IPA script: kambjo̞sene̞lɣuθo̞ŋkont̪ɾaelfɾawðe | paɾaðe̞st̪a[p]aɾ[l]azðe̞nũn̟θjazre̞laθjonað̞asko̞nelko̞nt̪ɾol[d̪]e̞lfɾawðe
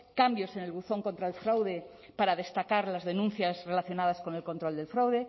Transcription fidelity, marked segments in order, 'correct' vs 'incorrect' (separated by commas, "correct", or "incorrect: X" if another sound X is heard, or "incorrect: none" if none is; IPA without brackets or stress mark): incorrect: k, correct, correct